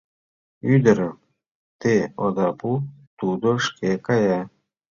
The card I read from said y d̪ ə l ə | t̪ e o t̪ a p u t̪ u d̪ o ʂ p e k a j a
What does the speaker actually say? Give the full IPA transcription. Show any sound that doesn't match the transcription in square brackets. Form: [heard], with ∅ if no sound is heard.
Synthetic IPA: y d̪ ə [ɾ] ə | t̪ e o [d̪] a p u t̪ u d̪ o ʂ [k] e k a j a

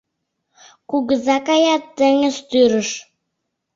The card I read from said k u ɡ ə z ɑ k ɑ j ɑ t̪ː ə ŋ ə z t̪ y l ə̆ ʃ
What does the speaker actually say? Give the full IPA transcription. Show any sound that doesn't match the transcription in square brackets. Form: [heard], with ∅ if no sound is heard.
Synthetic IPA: k u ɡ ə z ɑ k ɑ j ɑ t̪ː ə ŋ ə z t̪ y [ɾ] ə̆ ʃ

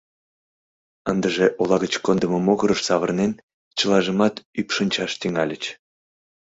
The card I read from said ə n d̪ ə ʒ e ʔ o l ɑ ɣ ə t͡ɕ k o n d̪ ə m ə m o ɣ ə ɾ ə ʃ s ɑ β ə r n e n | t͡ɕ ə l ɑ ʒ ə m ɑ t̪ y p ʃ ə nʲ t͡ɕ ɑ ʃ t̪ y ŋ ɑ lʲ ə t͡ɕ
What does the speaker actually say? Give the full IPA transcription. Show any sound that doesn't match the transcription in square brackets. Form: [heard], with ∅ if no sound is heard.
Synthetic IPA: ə n d̪ ə ʒ e ʔ o l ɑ ɣ ə t͡ɕ k o n d̪ ə m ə m o ɣ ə ɾ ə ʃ s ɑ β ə r n e n | t͡ɕ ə l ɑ ʒ ə m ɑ t̪ y p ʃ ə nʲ t͡ɕ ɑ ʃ t̪ y ŋ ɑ lʲ ə t͡ɕ

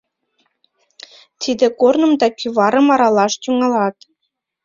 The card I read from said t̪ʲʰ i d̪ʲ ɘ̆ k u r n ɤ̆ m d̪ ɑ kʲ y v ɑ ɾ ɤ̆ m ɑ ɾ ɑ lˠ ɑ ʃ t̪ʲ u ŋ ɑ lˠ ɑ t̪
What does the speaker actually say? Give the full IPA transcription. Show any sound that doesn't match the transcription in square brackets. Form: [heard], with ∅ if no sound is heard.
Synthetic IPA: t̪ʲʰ i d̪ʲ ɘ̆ k [o] r n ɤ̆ m d̪ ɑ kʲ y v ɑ ɾ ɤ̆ m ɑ ɾ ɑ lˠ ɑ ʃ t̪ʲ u ŋ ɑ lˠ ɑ t̪

